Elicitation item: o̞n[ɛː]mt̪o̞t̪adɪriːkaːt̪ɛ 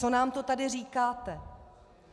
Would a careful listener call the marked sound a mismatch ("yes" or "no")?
yes